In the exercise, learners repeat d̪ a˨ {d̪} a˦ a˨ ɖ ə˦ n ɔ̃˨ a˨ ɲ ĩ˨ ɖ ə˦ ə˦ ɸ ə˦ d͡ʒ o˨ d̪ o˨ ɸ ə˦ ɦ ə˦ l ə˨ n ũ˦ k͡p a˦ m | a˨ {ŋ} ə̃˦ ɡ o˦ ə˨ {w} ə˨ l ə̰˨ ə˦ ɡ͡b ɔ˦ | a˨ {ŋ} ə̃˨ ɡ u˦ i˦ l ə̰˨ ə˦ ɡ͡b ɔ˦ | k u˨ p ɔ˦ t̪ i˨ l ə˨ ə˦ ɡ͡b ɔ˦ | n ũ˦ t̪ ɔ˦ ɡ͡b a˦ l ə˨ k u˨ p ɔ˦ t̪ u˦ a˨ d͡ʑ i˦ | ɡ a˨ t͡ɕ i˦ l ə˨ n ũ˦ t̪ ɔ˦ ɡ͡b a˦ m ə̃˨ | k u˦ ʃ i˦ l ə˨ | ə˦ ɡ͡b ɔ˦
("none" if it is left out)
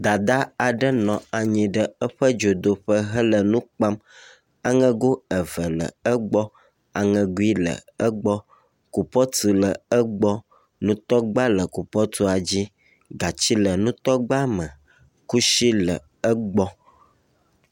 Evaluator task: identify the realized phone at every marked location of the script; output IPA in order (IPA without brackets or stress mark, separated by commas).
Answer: d̪, ŋ, v, ŋ